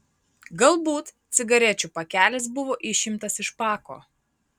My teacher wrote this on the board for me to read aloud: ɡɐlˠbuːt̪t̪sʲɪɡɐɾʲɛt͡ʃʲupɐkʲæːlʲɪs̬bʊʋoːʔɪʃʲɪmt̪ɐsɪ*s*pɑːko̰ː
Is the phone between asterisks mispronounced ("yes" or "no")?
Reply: yes